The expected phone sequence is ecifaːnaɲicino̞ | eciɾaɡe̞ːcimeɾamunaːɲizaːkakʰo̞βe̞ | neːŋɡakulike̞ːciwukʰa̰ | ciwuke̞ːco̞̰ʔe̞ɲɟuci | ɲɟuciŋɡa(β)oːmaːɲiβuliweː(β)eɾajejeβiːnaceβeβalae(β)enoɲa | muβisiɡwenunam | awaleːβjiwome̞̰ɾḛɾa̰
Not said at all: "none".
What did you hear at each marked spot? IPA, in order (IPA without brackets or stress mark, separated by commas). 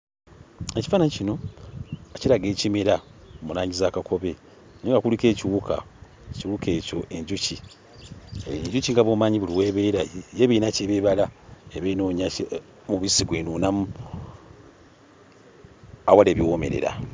β, β, β